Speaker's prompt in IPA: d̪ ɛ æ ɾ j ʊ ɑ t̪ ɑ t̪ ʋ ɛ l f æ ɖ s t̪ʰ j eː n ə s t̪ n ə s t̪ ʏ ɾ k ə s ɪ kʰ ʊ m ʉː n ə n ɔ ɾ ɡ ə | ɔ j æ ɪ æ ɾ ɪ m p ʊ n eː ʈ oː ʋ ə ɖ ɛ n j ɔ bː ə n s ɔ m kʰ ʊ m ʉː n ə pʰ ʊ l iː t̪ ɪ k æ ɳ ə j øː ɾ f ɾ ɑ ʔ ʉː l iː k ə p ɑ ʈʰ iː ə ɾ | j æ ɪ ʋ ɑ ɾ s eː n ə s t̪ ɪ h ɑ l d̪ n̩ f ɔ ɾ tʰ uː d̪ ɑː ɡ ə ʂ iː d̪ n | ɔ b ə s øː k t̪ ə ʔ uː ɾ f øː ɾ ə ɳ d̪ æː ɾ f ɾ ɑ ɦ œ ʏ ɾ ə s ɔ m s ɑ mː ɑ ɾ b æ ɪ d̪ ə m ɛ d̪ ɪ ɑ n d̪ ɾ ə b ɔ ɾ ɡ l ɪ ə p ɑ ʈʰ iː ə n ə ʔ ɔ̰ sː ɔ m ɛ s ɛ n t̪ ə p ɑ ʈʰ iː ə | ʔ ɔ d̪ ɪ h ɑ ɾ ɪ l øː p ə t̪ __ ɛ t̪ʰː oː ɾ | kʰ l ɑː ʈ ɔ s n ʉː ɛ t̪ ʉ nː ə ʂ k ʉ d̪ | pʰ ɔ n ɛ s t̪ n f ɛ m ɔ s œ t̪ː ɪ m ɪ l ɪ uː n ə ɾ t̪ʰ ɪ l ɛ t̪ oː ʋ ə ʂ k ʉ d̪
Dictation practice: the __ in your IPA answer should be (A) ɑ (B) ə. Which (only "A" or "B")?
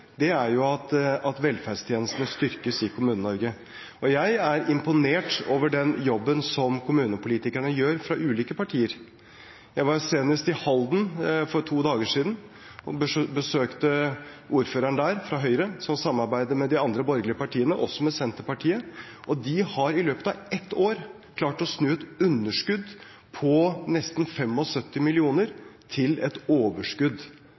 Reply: A